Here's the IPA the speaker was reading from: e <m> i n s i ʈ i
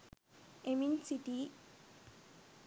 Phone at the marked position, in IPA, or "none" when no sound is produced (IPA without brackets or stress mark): m